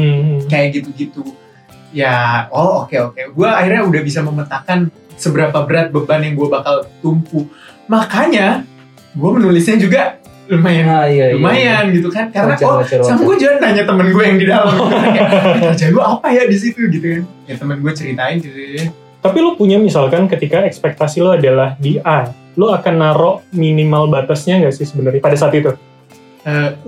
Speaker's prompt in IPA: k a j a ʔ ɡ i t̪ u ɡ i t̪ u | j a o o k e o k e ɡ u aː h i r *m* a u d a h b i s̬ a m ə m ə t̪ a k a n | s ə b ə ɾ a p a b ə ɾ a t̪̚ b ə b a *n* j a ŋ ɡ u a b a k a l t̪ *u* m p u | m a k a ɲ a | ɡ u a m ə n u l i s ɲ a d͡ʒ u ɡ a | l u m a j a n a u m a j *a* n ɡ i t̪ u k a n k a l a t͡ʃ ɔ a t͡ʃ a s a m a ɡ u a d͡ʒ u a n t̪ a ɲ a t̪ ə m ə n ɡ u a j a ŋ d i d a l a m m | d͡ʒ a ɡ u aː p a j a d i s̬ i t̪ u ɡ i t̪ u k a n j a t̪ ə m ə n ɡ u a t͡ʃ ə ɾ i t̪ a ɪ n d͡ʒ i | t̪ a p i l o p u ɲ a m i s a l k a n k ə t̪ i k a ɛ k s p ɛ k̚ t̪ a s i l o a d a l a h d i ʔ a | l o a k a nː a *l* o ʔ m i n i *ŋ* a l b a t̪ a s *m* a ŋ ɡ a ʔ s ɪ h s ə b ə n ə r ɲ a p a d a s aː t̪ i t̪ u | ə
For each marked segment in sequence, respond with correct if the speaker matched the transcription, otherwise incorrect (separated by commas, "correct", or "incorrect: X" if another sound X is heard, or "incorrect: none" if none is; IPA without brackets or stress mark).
incorrect: ɲ, correct, correct, correct, incorrect: ɾ, incorrect: m, incorrect: ɲ